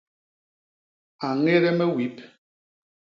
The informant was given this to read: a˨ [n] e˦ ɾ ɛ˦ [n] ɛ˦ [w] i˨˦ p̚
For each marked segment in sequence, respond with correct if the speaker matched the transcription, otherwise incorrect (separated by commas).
incorrect, incorrect, correct